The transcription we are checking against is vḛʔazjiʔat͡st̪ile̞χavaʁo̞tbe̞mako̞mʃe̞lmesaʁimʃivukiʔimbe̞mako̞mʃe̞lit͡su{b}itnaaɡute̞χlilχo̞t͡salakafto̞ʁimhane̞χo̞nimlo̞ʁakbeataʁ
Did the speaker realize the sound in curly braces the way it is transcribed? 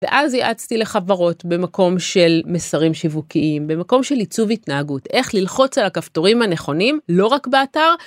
no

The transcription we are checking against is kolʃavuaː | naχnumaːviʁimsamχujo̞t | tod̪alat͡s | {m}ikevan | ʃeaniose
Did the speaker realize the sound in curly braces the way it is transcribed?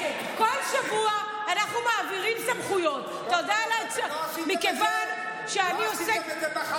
yes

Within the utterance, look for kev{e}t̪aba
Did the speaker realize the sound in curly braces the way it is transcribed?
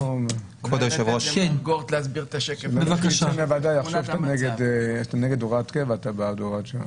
no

